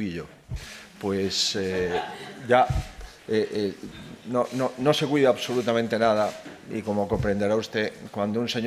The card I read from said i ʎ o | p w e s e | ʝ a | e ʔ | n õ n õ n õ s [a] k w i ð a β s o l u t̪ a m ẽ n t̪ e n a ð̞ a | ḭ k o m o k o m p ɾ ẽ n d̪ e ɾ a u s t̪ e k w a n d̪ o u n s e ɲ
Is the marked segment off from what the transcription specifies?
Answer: yes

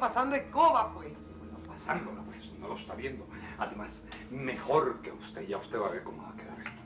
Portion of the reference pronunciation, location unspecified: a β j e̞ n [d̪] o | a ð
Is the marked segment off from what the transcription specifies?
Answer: no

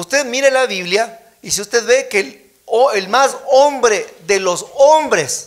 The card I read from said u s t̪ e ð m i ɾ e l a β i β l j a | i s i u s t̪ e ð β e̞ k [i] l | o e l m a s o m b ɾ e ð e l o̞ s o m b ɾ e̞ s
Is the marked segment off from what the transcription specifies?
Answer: yes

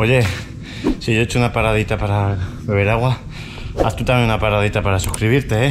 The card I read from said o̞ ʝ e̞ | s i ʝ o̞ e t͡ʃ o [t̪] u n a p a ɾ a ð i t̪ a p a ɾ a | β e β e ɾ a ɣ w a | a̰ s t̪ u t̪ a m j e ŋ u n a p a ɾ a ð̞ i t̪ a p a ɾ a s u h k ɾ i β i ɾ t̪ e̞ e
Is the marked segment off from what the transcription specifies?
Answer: yes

